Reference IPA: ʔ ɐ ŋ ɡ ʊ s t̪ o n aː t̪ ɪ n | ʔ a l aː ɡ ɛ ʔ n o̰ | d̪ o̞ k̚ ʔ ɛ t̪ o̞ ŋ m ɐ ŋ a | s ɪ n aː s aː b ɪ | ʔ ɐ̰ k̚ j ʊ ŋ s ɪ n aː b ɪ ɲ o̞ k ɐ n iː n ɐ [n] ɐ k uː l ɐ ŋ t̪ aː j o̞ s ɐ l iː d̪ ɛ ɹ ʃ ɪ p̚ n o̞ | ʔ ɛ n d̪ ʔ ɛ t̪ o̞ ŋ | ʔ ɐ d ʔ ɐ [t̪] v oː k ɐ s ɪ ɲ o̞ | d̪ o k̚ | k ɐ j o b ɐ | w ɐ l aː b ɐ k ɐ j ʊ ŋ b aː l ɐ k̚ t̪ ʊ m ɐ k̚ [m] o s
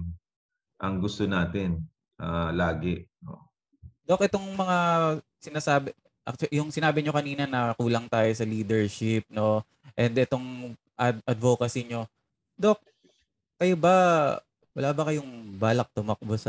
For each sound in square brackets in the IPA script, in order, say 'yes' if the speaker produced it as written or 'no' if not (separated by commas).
yes, no, no